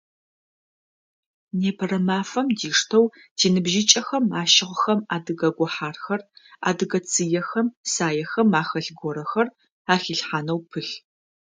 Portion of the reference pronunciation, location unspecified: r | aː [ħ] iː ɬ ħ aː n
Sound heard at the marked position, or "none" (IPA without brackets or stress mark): x